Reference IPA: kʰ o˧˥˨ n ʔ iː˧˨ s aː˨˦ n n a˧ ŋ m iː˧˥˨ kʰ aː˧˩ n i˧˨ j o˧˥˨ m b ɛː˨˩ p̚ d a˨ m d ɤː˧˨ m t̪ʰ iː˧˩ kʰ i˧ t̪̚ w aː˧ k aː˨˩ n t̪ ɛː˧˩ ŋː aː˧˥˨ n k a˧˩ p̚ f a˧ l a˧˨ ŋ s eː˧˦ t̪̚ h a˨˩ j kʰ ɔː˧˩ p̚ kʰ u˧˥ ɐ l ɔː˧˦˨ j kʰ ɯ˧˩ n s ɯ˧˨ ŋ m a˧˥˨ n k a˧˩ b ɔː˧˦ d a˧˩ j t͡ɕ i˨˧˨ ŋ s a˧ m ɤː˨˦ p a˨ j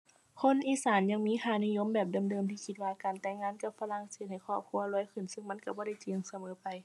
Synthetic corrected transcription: kʰ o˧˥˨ n ʔ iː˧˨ s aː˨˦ n ɲ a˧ ŋ m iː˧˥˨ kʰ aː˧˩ n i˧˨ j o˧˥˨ m b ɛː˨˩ p̚ d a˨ m d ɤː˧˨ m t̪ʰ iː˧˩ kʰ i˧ t̪̚ w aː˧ k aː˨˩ n t̪ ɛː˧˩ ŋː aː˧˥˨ n k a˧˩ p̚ f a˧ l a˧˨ ŋ s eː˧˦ t̪̚ h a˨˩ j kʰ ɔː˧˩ p̚ kʰ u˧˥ ɐ l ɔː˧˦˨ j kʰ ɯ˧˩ n s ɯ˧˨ ŋ m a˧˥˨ n k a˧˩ b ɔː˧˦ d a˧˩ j t͡ɕ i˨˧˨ ŋ s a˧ m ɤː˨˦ p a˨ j

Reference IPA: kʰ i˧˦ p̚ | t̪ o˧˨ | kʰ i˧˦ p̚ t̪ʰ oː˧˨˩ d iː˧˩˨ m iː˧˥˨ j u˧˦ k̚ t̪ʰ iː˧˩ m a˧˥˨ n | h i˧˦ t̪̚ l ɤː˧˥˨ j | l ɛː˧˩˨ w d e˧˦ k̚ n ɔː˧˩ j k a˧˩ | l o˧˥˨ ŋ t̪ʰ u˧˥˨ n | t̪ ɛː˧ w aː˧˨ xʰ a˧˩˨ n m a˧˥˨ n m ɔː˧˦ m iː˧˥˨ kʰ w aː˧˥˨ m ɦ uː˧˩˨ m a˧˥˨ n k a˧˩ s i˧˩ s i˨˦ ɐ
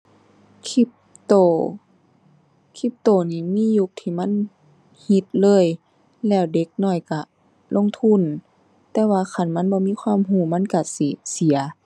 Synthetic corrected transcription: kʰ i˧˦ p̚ | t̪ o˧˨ | kʰ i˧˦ p̚ t̪ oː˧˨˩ n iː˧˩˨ m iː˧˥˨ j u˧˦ k̚ t̪ʰ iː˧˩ m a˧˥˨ n | h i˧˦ t̪̚ l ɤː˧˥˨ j | l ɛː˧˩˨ w d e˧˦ k̚ n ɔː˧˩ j k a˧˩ | l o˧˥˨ ŋ t̪ʰ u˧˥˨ n | t̪ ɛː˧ w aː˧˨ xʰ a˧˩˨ n m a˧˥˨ n b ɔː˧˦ m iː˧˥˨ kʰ w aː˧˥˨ m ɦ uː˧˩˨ m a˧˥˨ n k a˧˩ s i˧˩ s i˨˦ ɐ

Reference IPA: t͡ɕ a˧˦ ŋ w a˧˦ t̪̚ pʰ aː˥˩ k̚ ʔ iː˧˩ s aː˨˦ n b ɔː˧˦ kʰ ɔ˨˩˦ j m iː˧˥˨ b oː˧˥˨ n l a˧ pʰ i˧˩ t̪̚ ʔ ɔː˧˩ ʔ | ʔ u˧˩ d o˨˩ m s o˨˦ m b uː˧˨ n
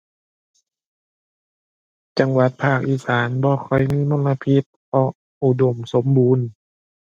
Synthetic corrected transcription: t͡ɕ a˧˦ ŋ w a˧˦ t̪̚ pʰ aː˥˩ k̚ ʔ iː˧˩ s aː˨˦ n b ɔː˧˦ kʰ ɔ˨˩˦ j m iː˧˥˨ m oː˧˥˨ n l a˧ pʰ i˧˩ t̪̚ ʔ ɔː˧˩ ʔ | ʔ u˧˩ d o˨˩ m s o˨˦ m b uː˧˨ n

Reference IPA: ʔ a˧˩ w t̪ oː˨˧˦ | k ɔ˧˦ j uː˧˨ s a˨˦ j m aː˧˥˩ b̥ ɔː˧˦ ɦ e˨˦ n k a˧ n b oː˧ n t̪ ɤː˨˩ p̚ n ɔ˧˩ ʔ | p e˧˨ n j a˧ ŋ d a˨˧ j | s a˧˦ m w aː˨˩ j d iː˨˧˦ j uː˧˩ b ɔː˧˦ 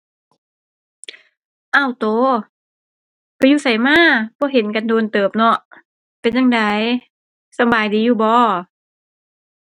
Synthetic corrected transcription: ʔ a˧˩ w t̪ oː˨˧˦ | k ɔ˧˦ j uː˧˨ s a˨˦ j m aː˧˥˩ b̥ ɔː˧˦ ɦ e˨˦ n k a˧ n d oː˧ n t̪ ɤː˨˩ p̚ n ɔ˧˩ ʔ | p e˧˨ n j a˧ ŋ d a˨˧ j | s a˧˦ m b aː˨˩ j d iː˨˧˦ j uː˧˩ b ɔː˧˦

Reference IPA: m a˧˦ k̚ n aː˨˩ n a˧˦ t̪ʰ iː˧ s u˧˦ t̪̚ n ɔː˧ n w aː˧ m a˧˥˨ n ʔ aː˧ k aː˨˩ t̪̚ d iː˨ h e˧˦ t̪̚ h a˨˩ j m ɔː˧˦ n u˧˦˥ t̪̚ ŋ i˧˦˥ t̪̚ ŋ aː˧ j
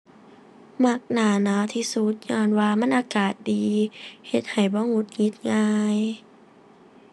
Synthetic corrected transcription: m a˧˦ k̚ n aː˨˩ n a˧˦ t̪ʰ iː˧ s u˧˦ t̪̚ ɲ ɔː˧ n w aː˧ m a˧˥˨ n ʔ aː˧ k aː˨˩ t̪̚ d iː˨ h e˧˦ t̪̚ h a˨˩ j b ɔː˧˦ ŋ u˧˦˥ t̪̚ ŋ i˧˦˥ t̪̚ ŋ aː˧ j

